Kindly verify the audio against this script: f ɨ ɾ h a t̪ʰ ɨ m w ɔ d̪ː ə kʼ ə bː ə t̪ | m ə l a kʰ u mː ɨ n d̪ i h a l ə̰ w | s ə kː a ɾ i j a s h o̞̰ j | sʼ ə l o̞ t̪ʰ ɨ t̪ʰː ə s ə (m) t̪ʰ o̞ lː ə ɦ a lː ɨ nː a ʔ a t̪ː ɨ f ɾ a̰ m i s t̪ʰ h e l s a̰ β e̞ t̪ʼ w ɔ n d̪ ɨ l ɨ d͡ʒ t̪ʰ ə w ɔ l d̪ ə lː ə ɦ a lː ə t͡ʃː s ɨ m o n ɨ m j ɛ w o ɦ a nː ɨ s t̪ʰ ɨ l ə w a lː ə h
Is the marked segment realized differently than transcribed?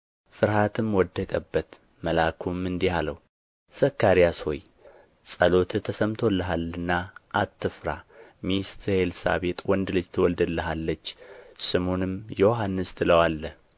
no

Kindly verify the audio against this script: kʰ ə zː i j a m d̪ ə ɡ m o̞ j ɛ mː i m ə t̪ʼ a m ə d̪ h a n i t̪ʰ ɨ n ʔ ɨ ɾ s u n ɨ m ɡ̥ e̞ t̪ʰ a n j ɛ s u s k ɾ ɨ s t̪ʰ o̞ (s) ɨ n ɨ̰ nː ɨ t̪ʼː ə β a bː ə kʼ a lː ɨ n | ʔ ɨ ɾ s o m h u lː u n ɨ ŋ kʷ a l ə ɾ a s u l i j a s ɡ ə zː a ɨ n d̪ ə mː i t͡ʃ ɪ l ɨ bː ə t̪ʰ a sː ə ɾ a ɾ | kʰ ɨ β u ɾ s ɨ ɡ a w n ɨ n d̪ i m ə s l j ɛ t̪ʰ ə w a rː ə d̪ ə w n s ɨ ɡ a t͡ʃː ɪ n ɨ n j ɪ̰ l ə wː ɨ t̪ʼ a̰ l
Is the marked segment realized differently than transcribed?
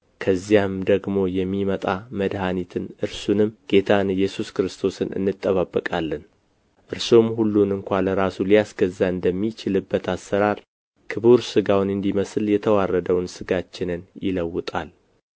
no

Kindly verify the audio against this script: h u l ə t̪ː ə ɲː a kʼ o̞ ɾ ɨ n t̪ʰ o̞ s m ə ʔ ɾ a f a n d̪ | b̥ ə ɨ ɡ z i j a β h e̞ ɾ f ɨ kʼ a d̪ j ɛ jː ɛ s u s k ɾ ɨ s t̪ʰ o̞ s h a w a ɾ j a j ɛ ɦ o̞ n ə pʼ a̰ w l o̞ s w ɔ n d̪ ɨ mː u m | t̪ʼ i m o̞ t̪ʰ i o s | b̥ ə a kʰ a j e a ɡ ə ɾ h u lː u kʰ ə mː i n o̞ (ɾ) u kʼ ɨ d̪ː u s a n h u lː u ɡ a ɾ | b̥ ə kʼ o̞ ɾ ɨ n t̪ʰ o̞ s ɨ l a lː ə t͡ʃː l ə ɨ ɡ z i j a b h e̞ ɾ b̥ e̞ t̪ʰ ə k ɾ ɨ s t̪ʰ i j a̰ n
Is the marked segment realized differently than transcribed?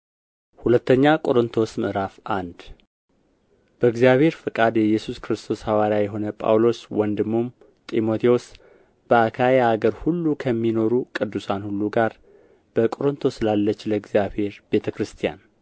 no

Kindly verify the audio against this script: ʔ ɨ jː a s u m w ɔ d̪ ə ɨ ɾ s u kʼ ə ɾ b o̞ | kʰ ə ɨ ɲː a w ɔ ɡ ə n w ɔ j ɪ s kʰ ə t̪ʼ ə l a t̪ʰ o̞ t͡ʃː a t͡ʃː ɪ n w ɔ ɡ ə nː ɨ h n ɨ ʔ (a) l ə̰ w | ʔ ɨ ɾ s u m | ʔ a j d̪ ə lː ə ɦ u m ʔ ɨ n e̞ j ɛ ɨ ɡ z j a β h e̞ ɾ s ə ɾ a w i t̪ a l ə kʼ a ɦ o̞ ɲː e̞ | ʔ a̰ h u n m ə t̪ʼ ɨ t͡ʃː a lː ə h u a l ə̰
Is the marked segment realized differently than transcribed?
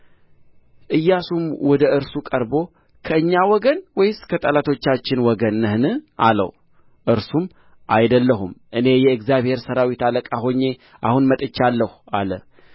no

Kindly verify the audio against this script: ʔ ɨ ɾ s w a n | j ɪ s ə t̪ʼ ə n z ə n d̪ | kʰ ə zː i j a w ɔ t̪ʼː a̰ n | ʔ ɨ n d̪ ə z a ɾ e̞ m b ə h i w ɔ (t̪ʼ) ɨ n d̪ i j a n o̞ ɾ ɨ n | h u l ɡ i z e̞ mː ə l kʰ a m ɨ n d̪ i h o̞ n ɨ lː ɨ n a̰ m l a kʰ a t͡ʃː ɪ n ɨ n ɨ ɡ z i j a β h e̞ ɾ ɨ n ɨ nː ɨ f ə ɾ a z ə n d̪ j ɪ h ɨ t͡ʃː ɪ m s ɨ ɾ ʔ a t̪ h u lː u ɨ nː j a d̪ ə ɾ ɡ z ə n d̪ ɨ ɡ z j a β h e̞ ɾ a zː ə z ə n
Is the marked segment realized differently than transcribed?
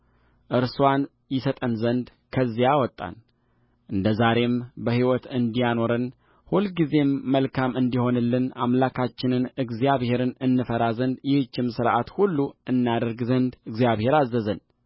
yes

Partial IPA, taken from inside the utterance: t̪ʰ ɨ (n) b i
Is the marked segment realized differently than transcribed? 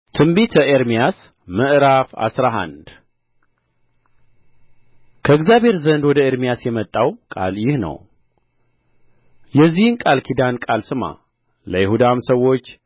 yes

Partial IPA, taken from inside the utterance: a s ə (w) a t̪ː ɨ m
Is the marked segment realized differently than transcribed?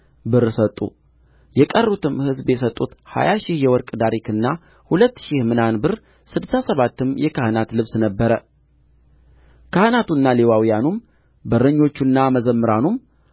yes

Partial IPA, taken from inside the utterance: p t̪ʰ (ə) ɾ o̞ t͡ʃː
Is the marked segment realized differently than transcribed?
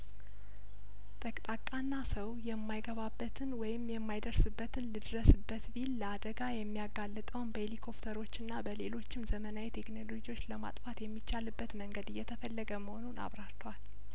no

